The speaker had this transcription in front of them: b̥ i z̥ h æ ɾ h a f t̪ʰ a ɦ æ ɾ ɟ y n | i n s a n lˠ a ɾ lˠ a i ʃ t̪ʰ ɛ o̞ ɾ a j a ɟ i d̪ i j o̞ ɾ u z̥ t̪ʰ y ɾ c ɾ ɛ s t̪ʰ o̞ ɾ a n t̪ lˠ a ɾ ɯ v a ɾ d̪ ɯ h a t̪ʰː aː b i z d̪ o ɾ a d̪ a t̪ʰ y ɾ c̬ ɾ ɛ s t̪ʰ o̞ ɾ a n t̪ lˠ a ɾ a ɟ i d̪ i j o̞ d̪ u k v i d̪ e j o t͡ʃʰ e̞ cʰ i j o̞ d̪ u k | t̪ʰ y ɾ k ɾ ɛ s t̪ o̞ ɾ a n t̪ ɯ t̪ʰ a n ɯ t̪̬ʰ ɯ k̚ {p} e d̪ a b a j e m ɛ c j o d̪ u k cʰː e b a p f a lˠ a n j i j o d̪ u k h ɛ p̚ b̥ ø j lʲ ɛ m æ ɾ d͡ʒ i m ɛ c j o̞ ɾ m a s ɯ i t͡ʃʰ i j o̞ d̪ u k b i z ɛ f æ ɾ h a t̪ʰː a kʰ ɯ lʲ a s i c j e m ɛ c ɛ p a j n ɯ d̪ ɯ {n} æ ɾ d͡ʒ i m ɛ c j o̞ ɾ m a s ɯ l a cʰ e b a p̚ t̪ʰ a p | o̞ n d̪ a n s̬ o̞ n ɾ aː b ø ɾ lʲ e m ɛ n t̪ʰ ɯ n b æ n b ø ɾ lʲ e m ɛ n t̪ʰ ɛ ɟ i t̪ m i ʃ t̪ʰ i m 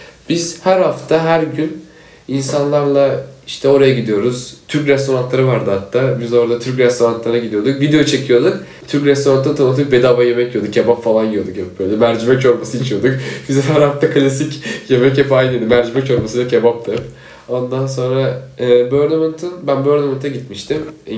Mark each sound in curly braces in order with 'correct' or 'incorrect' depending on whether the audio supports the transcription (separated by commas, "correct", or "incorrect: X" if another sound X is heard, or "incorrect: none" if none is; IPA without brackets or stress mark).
incorrect: b, incorrect: m